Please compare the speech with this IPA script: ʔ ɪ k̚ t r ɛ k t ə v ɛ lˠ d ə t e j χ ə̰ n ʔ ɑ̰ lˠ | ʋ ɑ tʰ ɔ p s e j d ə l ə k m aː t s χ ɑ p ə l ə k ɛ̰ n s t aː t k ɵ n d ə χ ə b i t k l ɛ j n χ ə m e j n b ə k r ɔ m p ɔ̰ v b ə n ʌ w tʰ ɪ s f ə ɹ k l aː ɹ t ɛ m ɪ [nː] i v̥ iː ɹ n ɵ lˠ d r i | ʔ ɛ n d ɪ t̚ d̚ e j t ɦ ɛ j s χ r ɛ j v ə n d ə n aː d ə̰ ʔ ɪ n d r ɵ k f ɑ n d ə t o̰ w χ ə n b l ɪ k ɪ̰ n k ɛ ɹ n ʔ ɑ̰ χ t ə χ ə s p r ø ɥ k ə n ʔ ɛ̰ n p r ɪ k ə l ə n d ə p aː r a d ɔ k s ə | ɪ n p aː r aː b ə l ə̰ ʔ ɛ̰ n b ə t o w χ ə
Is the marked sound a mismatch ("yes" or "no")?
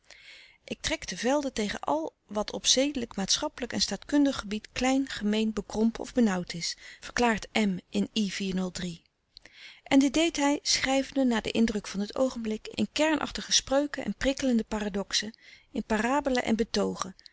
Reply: yes